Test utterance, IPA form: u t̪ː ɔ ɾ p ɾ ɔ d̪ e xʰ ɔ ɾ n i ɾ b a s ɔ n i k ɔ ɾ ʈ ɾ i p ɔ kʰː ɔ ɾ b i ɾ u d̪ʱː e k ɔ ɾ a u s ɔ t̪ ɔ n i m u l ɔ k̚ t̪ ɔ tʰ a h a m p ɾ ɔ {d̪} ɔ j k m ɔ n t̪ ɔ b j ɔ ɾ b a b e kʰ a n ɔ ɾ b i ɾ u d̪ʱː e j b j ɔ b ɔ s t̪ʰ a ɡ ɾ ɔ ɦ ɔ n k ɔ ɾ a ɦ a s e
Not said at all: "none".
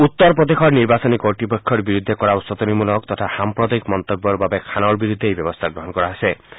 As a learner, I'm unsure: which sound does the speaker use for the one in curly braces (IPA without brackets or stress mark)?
d̪